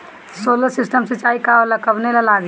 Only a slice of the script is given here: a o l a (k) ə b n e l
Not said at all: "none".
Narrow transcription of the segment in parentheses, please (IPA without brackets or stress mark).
k